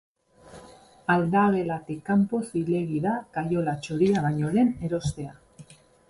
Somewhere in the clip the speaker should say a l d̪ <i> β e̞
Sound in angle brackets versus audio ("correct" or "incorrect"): incorrect